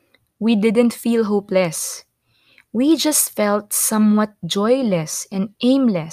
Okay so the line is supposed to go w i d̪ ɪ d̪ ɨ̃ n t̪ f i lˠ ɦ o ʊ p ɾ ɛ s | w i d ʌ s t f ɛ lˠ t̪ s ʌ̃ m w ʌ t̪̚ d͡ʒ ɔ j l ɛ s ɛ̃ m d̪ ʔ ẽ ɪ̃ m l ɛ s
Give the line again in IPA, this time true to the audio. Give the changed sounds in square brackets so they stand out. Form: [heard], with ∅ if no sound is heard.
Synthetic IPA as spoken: w i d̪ ɪ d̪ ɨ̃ n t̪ f i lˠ ɦ o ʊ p [l] ɛ s | w i [d͡ʒ] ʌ s t f ɛ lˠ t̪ s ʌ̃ m w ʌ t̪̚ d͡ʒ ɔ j l ɛ s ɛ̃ [n] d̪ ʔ ẽ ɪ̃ m l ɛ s